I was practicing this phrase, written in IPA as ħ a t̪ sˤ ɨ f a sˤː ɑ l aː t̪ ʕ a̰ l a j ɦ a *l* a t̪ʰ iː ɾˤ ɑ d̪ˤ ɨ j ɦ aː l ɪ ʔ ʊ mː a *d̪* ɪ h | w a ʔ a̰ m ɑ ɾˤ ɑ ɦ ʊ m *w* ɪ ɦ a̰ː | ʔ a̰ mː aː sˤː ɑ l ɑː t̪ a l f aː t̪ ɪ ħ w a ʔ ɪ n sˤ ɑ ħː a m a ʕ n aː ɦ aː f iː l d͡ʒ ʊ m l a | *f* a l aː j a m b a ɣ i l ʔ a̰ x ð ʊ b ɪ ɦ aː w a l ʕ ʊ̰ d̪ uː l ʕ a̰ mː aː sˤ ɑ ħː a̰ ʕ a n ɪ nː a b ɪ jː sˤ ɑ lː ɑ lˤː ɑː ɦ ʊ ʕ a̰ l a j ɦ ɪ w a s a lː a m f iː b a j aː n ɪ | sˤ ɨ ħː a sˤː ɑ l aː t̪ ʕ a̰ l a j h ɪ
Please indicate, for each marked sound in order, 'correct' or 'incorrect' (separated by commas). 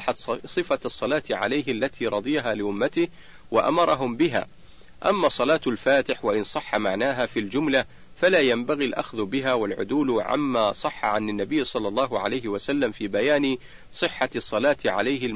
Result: incorrect, incorrect, incorrect, correct